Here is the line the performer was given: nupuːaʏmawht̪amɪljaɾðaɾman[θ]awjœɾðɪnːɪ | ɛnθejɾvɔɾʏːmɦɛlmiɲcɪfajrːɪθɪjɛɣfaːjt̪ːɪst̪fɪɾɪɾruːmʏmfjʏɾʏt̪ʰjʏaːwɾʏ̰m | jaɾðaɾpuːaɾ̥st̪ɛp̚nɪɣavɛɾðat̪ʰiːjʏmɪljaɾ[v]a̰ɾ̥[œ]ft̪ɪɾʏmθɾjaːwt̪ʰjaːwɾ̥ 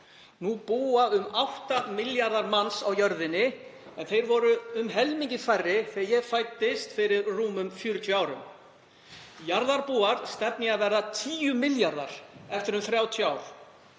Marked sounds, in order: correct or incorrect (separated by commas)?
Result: incorrect, incorrect, incorrect